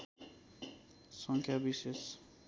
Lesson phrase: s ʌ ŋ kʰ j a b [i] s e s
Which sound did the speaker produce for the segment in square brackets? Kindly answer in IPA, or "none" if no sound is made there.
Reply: i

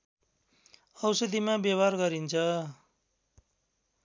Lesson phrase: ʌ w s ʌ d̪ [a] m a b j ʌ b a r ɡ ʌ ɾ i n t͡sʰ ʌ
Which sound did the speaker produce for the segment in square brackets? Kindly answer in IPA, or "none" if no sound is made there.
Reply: i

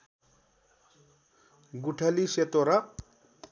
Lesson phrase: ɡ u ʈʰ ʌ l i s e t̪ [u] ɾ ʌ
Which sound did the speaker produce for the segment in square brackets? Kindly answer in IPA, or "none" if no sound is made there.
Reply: o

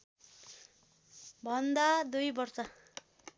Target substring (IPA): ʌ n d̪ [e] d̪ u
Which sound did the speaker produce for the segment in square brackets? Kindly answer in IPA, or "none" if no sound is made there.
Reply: a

